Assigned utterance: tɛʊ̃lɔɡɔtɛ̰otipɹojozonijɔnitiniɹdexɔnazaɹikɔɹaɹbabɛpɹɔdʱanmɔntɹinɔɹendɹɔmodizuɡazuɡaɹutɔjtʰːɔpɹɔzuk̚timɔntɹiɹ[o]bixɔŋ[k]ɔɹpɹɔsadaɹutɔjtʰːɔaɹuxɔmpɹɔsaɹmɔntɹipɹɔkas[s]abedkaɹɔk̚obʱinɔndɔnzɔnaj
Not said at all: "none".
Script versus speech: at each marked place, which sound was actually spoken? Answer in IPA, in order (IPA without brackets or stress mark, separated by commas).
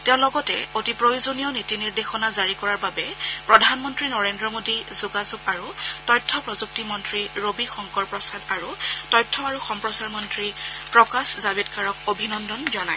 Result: o, k, z